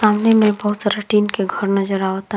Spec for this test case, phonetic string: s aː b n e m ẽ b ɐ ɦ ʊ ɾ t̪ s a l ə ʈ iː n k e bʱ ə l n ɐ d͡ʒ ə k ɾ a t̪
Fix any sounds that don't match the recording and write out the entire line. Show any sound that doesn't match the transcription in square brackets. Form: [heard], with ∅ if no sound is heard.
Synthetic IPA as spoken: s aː [m] n e m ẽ b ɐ ɦ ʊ [∅] t̪ s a [ɾ] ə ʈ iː n k e [ɡʱ] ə [ɾ] n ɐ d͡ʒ ə [∅] ɾ a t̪

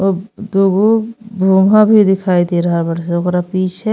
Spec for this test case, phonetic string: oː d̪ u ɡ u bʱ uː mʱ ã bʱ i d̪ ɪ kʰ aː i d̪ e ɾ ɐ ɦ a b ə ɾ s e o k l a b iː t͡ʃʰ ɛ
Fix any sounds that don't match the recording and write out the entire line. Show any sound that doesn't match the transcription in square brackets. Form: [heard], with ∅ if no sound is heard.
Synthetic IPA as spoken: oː d̪ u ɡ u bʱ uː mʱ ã bʱ i d̪ ɪ kʰ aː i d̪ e ɾ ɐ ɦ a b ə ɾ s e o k [ɾ] a [p] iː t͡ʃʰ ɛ

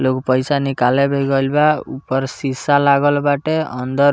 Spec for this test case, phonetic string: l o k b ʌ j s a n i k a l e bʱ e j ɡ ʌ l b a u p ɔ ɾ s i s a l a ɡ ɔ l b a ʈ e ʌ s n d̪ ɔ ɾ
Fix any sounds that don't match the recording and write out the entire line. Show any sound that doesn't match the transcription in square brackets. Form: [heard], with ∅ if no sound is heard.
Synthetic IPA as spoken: l o k [p] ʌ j s a n i k a l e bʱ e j ɡ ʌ l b a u p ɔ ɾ s i s a l a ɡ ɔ l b a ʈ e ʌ [∅] n d̪ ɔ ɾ

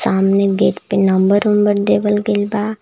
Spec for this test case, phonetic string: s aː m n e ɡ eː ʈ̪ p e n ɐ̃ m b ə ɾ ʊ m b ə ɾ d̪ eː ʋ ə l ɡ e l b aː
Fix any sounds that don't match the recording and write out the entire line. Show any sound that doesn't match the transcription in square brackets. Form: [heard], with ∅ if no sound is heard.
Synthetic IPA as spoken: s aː m n e ɡ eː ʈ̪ p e n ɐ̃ m b ə ɾ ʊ m b ə ɾ d̪ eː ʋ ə l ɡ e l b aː

